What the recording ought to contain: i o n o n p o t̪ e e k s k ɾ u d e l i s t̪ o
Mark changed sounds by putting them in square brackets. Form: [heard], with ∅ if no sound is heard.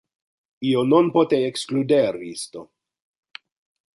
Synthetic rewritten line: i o n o n p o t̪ e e k s k [l] u d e [ɾ] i s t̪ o

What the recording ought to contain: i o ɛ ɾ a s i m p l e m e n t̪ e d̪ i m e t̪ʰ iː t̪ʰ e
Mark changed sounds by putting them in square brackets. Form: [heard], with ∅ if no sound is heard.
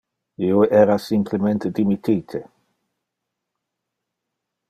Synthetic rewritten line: i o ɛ ɾ a s i m p l e m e n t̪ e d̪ i m [i] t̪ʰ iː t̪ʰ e

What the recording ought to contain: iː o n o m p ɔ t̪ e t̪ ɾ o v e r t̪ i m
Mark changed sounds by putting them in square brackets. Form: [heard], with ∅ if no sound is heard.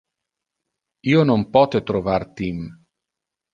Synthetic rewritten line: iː o n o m p ɔ t̪ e t̪ ɾ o v [a] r t̪ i m

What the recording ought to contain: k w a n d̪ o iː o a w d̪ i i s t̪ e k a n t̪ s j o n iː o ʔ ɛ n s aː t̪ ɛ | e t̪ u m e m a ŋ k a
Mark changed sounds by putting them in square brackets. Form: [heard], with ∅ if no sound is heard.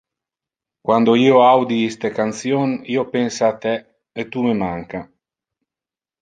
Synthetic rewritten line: k w a n d̪ o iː o a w d̪ i i s t̪ e k a n t̪ s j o n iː o [p] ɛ n s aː t̪ ɛ | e t̪ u m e m a ŋ k a

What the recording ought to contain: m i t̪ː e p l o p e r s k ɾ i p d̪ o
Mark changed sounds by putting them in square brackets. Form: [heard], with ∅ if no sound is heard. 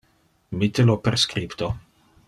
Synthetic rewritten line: m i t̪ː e [∅] l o p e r s k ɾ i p [t̪] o

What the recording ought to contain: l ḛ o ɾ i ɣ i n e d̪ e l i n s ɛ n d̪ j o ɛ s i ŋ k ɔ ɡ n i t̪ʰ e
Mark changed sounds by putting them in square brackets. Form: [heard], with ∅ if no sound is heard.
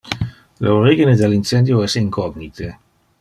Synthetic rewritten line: l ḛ o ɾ i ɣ i n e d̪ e l i n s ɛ n d̪ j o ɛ s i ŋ k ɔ ɡ n i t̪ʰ e

